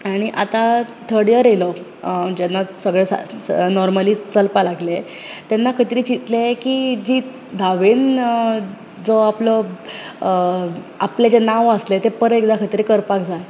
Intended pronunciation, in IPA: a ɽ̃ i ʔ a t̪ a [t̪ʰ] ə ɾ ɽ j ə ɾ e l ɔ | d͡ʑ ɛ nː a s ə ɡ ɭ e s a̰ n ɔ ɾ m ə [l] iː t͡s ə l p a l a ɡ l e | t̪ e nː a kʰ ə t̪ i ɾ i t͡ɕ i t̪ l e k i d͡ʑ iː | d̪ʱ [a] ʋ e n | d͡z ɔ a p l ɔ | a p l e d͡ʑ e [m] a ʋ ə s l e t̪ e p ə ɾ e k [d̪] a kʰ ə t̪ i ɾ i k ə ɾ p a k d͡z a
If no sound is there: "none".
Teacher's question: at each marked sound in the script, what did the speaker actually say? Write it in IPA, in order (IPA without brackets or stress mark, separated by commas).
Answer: t̪ʰ, l, a, n, d̪